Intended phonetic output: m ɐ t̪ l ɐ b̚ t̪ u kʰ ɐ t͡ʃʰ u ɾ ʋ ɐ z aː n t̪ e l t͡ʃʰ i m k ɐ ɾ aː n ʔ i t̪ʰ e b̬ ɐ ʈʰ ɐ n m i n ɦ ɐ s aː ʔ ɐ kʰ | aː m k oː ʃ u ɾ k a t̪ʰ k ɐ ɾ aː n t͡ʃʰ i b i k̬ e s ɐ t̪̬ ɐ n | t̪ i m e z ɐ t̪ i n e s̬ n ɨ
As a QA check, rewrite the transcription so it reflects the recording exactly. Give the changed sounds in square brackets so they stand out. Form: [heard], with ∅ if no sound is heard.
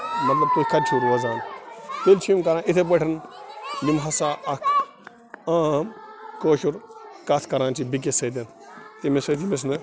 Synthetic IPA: m ɐ t̪ l ɐ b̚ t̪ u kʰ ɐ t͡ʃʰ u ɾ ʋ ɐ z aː n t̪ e l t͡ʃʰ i m k ɐ ɾ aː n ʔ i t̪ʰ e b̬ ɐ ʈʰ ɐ n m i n ɦ ɐ s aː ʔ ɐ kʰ | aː m k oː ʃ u ɾ k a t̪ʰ k ɐ ɾ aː n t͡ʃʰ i b i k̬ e s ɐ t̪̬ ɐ n | t̪ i m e [s] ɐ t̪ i [m] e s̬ n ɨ